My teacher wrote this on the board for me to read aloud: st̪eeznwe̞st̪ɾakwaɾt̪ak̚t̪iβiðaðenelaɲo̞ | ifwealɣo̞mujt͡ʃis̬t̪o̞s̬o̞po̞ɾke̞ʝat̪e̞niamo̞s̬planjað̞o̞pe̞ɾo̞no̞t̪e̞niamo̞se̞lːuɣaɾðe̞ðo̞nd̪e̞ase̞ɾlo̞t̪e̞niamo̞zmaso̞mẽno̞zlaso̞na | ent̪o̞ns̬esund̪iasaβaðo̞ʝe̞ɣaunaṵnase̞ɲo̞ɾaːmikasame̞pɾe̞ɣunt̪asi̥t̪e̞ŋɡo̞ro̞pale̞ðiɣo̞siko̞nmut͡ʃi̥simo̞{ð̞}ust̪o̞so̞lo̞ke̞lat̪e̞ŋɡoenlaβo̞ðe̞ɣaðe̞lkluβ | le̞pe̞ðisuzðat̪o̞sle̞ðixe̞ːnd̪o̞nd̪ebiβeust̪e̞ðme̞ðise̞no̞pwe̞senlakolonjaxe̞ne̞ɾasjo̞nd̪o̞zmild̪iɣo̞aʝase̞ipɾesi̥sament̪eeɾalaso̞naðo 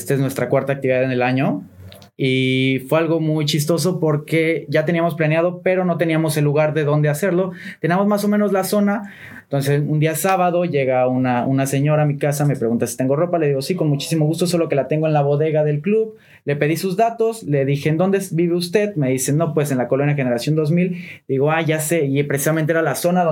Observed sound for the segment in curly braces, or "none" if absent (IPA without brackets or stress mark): ɣ̞